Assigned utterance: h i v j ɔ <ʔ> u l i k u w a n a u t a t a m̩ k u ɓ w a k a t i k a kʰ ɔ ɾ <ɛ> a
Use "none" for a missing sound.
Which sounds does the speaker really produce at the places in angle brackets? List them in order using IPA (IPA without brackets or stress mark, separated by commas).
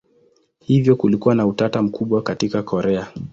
k, ɛ